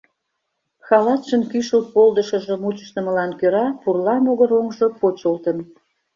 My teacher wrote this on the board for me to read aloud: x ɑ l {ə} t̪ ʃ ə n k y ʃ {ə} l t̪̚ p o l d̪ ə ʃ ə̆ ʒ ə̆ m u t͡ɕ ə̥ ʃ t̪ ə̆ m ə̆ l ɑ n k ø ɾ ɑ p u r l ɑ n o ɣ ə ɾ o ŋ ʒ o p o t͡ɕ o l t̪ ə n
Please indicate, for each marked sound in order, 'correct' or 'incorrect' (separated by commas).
incorrect, correct